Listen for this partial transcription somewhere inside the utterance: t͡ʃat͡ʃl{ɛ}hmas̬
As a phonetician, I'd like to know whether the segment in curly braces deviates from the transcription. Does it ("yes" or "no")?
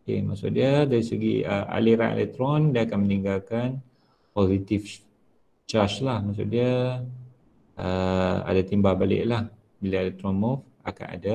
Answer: yes